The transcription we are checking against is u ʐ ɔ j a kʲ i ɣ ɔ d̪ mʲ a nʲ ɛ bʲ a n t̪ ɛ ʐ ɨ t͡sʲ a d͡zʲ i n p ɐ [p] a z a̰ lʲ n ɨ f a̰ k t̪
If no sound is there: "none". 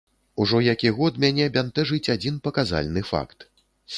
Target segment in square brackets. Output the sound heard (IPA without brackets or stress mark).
k